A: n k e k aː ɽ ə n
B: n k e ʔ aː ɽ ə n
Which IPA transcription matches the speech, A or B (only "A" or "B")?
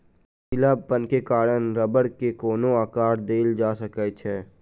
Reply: A